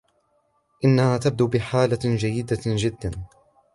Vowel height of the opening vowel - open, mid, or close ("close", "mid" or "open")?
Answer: close